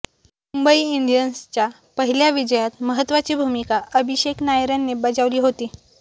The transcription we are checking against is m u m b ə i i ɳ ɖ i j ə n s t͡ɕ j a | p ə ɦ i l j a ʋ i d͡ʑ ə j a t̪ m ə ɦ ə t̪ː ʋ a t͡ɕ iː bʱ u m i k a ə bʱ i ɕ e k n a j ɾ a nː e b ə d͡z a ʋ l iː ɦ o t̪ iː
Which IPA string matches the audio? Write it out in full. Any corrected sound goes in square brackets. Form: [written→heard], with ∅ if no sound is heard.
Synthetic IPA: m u m b ə i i ɳ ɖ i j ə n s t͡ɕ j a | p ə ɦ i l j a ʋ i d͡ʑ ə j a t̪ m ə ɦ ə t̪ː ʋ a t͡ɕ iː bʱ u m i k a ə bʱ i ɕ e k n a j ɾ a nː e b ə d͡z a ʋ l iː ɦ o t̪ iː